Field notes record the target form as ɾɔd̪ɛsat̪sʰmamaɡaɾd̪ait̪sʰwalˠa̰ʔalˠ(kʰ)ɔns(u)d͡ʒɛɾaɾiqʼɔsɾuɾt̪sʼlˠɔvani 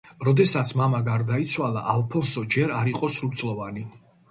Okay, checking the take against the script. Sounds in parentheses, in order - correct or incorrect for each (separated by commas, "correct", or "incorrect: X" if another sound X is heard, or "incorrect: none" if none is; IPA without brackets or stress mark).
incorrect: pʰ, incorrect: ɔ